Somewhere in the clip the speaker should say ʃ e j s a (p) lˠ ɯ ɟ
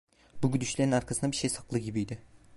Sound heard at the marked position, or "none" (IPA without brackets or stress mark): k